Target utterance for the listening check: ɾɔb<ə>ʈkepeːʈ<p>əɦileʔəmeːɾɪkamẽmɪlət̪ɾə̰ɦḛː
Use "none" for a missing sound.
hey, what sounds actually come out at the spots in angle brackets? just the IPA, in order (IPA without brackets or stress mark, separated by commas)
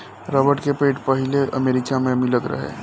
ə, p